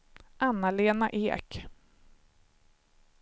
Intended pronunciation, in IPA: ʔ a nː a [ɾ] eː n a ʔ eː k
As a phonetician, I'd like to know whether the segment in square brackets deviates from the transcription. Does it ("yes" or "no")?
yes